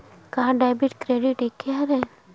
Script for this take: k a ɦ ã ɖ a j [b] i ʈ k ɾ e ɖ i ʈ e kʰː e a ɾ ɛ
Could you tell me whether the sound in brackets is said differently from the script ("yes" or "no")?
no